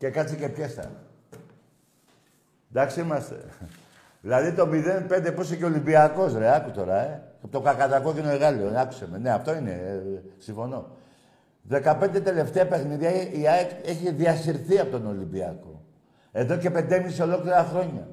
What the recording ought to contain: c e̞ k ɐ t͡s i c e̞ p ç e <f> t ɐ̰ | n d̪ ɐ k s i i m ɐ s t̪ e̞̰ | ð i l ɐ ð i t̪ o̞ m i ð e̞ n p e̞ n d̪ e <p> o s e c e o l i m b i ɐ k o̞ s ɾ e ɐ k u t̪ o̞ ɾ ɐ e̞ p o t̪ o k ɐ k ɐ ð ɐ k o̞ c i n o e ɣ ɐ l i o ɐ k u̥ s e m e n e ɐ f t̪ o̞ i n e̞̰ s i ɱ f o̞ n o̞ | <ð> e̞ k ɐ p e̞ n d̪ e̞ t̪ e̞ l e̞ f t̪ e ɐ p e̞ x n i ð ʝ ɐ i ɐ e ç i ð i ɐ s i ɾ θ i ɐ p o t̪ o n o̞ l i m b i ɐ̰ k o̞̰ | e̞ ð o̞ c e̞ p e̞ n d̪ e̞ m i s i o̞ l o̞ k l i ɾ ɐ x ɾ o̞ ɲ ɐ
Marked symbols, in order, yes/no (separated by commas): no, yes, yes